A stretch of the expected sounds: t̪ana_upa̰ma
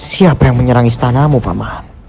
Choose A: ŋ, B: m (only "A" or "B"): B